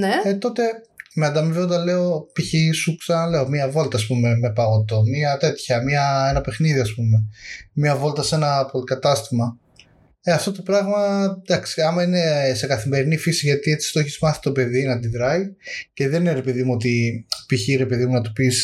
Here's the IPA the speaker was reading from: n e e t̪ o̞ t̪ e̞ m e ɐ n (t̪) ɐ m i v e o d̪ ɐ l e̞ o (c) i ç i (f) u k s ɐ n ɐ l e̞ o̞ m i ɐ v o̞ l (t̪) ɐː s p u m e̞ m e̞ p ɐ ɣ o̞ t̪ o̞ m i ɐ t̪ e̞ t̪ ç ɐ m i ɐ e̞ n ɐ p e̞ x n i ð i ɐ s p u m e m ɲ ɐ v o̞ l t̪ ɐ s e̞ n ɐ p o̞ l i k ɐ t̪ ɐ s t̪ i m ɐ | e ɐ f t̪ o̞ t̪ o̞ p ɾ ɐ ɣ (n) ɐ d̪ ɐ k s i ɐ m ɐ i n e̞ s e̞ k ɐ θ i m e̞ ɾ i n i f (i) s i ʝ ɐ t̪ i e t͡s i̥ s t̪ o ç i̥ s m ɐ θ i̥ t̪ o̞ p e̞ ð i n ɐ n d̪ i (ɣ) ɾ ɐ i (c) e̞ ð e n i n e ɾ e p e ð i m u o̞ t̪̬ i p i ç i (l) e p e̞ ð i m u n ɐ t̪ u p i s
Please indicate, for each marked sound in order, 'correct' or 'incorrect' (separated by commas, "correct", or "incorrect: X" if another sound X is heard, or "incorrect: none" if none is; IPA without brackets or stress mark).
incorrect: d̪, incorrect: p, incorrect: s, correct, incorrect: m, correct, incorrect: ð, correct, incorrect: ɾ